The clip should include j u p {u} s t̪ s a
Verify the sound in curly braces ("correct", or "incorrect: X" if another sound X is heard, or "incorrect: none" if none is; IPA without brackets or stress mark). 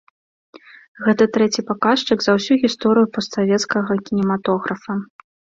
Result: incorrect: ɔ